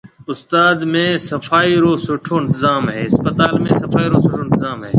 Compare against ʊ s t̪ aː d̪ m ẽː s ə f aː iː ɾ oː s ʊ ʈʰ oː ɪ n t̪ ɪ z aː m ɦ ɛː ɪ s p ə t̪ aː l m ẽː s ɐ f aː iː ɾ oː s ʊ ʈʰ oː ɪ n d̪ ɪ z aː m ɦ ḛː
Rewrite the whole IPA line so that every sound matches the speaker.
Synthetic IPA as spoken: ʊ s t̪ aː d̪ m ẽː s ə f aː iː ɾ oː s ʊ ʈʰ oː ɪ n t̪ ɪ z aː m ɦ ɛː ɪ s p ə t̪ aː l m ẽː s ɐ f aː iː ɾ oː s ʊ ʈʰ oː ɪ n t̪ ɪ z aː m ɦ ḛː